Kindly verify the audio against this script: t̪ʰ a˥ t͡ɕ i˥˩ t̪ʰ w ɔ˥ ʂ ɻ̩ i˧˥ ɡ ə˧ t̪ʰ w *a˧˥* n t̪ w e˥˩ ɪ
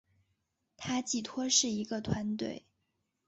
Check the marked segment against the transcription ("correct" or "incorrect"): correct